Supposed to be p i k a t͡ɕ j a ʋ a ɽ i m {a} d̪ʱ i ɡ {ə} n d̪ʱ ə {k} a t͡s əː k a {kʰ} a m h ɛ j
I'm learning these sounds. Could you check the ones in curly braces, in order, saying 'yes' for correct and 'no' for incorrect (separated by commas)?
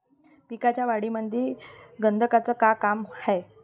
no, yes, yes, no